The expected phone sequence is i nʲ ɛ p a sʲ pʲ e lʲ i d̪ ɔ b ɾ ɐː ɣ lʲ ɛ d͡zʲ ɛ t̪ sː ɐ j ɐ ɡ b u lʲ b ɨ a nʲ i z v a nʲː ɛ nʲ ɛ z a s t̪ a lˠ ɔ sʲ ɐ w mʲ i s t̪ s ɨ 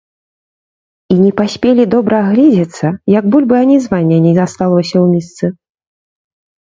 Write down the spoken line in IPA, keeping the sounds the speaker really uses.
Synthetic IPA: i nʲ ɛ p a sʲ pʲ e lʲ i d̪ ɔ b ɾ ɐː ɣ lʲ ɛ d͡zʲ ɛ t̪ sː ɐ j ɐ ɡ b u lʲ b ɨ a nʲ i z v a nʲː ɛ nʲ ɛ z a s t̪ a lˠ ɔ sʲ ɐ w mʲ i s t̪ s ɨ

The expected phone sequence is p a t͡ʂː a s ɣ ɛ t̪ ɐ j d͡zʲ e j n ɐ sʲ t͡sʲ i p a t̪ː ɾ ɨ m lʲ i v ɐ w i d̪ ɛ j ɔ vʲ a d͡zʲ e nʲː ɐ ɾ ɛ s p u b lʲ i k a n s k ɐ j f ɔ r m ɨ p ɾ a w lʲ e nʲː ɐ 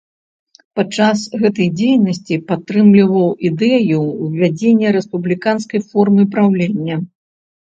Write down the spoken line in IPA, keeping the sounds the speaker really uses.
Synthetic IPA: p a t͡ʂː a s ɣ ɛ t̪ ɐ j d͡zʲ e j n ɐ sʲ t͡sʲ i p a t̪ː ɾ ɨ m lʲ i v ɐ w i d̪ ɛ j u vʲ a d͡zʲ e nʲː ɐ ɾ ɛ s p u b lʲ i k a n s k ɐ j f ɔ r m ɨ p ɾ a w lʲ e nʲː ɐ

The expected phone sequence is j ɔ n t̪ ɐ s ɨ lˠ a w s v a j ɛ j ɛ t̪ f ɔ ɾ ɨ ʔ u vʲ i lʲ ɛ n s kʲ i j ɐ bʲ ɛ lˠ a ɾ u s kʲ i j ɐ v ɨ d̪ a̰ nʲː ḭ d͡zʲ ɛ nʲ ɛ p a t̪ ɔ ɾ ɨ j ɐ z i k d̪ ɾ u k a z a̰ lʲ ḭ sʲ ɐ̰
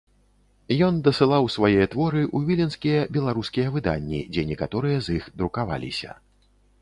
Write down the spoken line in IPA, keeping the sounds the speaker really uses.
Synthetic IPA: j ɔ n d̪ ɐ s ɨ lˠ a w s v a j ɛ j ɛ t̪ v ɔ ɾ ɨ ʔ u vʲ i lʲ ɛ n s kʲ i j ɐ bʲ ɛ lˠ a ɾ u s kʲ i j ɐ v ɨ d̪ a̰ nʲː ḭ d͡zʲ ɛ nʲ ɛ k a t̪ ɔ ɾ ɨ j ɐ z i x d̪ ɾ u k a v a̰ lʲ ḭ sʲ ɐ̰

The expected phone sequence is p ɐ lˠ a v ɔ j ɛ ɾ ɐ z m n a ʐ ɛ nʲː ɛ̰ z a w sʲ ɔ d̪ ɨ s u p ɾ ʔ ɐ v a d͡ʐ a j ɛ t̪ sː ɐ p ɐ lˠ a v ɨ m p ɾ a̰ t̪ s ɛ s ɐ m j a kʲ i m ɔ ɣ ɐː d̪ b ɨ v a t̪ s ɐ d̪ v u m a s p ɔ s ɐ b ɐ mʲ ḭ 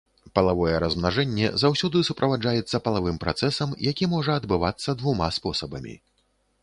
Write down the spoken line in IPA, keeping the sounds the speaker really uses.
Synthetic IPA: p ɐ lˠ a v ɔ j ɛ ɾ ɐ z m n a ʐ ɛ nʲː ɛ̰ z a w sʲ ɔ d̪ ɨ s u p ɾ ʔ ɐ v a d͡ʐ a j ɛ t̪ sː ɐ p ɐ lˠ a v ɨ m p ɾ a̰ t̪ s ɛ s ɐ m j a kʲ i m ɔ ʐ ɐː d̪ b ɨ v a t̪ sː ɐ d̪ v u m a s p ɔ s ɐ b ɐ mʲ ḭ

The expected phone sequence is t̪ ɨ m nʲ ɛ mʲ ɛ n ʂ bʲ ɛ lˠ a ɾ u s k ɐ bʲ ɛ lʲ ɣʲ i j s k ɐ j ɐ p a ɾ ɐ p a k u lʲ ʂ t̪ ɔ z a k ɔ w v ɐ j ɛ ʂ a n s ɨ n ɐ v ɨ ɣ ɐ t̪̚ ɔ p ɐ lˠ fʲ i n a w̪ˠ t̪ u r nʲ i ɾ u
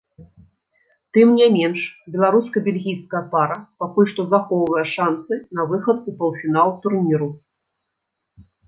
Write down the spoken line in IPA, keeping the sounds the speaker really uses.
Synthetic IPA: t̪ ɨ m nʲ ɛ mʲ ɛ n ʂ bʲ ɛ lˠ a ɾ u s k ɐ bʲ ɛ lʲ ɣʲ i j s k ɐ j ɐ p a ɾ ɐ p a k u lʲ ʂ t̪ ɔ z a x ɔ w v ɐ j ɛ ʂ a n s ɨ n ɐ v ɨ x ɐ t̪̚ u p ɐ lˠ fʲ i n a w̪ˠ t̪ u r nʲ i ɾ u

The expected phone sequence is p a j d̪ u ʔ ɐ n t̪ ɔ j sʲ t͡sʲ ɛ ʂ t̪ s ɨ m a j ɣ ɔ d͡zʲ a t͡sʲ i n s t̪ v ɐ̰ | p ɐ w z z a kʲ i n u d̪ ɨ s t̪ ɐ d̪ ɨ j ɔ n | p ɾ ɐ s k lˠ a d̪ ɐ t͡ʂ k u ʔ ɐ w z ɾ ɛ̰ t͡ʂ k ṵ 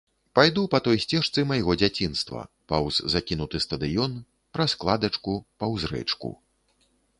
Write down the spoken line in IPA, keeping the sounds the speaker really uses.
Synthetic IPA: p a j d̪ u p ɐ t̪ ɔ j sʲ t͡sʲ ɛ ʂ t̪ s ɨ m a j ɣ ɔ d͡zʲ a t͡sʲ i n s t̪ v ɐ̰ | p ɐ w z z a kʲ i n u t̪ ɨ s t̪ ɐ d̪ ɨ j ɔ n | p ɾ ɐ s k lˠ a d̪ ɐ t͡ʂ k u p ɐ w z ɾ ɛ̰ t͡ʂ k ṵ

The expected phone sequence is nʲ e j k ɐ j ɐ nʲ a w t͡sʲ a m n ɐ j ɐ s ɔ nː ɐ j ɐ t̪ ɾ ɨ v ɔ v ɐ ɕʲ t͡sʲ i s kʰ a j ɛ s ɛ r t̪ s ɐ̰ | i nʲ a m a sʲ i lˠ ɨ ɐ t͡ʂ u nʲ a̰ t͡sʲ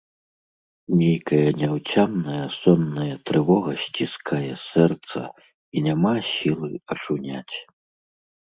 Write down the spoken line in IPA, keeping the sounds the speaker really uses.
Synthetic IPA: nʲ e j k ɐ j ɐ nʲ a w t͡sʲ a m n ɐ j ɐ s ɔ nː ɐ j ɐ t̪ ɾ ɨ v ɔ ɣ ɐ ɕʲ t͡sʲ i s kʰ a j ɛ s ɛ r t̪ s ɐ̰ | i nʲ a m a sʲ i lˠ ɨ ɐ t͡ʂ u nʲ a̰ t͡sʲ

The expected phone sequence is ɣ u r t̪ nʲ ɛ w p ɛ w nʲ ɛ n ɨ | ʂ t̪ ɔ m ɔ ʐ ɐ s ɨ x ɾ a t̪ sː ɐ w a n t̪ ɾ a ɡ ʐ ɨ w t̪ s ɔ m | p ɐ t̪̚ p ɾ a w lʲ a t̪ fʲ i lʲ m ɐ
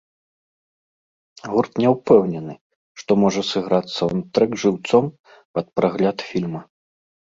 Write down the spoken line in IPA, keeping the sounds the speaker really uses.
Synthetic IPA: ɣ u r t̪ nʲ ɛ w p ɛ w nʲ ɛ n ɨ | ʂ t̪ ɔ m ɔ ʐ ɐ s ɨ ɣ ɾ a t̪ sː ɐ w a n t̪ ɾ ɛ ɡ ʐ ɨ w t̪ s ɔ m | p ɐ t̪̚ p ɾ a ɣ lʲ a t̪ fʲ i lʲ m ɐ

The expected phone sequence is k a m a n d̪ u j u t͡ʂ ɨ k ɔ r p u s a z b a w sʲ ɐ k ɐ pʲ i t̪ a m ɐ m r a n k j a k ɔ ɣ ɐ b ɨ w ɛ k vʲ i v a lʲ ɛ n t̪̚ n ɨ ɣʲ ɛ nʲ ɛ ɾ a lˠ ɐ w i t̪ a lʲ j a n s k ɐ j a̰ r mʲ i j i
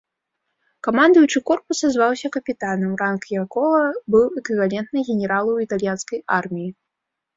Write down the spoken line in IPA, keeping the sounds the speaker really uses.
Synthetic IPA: k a m a n d̪ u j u t͡ʂ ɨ k ɔ r p u s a z v a w sʲ ɐ k ɐ pʲ i t̪ a n ɐ m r a n k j a k ɔ ɣ ɐ b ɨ w ɛ k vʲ i v a lʲ ɛ n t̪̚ n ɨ ɣʲ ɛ nʲ ɛ ɾ a lˠ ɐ w i t̪ a lʲ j a n s k ɐ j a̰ r mʲ i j i

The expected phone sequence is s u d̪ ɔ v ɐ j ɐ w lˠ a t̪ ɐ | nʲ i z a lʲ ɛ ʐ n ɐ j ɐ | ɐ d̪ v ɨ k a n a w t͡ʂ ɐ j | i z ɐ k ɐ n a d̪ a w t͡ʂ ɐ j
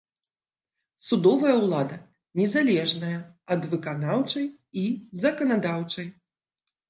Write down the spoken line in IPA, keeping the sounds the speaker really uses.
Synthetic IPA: s u d̪ ɔ v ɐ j ɐ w lˠ a d̪ ɐ | nʲ ɛ z a lʲ ɛ ʐ n ɐ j ɐ | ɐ d̪ v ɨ k a n a w t͡ʂ ɐ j | i z ɐ k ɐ n a d̪ a w t͡ʂ ɐ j

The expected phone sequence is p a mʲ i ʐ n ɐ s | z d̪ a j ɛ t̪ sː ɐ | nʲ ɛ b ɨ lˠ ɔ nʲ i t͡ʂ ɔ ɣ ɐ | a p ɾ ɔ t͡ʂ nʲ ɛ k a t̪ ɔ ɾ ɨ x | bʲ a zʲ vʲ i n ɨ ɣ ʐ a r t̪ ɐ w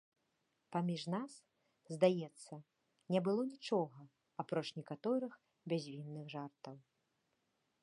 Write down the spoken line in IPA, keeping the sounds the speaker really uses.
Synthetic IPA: p a mʲ i ʐ n a s | z d̪ a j ɛ t̪ sː ɐ | nʲ ɛ b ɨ lˠ ɔ nʲ i t͡ʂ ɔ ɣ ɐ | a p ɾ ɔ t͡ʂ nʲ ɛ k a t̪ ɔ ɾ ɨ x | bʲ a zʲ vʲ i nː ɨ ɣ ʐ a r t̪ ɐ w

